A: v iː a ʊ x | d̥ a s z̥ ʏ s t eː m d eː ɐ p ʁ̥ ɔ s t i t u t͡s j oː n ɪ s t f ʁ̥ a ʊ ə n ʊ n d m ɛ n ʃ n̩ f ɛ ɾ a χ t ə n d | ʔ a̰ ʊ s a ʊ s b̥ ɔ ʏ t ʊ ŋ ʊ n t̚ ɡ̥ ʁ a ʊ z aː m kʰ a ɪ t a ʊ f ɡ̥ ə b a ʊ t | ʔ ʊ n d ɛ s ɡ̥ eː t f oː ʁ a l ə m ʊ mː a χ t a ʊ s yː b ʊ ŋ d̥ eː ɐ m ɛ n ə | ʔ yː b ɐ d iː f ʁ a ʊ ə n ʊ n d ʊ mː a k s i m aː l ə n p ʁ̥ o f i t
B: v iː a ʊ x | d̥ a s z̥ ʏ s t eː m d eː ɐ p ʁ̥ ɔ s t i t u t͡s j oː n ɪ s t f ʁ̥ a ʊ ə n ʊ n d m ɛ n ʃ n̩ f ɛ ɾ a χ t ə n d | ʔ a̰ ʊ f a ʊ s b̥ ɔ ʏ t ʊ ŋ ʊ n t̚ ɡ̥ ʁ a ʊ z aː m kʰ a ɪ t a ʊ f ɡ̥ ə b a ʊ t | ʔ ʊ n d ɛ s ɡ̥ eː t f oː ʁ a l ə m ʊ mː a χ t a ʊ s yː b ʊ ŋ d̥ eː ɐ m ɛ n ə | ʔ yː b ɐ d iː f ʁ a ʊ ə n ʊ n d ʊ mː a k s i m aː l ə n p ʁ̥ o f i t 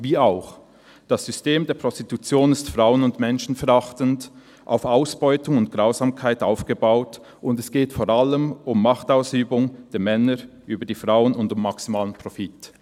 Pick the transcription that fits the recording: B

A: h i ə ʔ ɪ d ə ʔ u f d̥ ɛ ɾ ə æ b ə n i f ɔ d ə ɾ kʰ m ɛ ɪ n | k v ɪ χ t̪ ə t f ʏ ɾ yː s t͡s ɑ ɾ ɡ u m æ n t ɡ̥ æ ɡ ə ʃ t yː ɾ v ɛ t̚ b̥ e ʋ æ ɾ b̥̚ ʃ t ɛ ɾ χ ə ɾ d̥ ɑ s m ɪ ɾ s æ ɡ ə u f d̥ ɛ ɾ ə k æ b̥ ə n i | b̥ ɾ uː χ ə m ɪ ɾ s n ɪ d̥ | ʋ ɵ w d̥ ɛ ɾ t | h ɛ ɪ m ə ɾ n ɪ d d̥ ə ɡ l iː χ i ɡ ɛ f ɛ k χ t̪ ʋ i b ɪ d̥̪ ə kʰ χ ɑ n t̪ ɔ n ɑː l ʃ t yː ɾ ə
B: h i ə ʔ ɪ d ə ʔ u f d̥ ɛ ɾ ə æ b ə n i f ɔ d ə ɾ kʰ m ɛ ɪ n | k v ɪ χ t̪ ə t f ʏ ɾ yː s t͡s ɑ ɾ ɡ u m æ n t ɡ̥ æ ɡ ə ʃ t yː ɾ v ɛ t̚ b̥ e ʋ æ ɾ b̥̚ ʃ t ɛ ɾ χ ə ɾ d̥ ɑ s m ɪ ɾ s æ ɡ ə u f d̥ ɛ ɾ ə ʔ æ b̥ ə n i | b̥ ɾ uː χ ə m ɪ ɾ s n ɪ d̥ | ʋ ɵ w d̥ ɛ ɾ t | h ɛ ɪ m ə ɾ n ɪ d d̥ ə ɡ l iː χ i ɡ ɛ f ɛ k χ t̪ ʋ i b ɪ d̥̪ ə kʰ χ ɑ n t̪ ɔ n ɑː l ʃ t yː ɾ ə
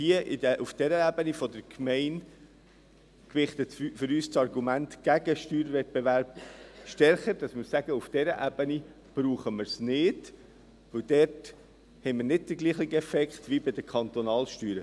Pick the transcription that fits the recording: B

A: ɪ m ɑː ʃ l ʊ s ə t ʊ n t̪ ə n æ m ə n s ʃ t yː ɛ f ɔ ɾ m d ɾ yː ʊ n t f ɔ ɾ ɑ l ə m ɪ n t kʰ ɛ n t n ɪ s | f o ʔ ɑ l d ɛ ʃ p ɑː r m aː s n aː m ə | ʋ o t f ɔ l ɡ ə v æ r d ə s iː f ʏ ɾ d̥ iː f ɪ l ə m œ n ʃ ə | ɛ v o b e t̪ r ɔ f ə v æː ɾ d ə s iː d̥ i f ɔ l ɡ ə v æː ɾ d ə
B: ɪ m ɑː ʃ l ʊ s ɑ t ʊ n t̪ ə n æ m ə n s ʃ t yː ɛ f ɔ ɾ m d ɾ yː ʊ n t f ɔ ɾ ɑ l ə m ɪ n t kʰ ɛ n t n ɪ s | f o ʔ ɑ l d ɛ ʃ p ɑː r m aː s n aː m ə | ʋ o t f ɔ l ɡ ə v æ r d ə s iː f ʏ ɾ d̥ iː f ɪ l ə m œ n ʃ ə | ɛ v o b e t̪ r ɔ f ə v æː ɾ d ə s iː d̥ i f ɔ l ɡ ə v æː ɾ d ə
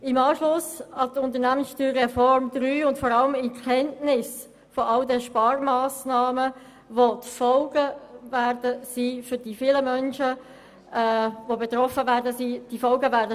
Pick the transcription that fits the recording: B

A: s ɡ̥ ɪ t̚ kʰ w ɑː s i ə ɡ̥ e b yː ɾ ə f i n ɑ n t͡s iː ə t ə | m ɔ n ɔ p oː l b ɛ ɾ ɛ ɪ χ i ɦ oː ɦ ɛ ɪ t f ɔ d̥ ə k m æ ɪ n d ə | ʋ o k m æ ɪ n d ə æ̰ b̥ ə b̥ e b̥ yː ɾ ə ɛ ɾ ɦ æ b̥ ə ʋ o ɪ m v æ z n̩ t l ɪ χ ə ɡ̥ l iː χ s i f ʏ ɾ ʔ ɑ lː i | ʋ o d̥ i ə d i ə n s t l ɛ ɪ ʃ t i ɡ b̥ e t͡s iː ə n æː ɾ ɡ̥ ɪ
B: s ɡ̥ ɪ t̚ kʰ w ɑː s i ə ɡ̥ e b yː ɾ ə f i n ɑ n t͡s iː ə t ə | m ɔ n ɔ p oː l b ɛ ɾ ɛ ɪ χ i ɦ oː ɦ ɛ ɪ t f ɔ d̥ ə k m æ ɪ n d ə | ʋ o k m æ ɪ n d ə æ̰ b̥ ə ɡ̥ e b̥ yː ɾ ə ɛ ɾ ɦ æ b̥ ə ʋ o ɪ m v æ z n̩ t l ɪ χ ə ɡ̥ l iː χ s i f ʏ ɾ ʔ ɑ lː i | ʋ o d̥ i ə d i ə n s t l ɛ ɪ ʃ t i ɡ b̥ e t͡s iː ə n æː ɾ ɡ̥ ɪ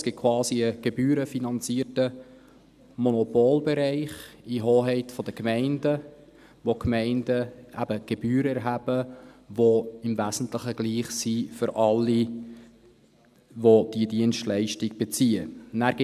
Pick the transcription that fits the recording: B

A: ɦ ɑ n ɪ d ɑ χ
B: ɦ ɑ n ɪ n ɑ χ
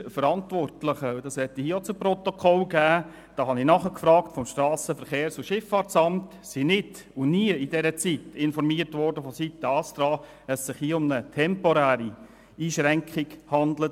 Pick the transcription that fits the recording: B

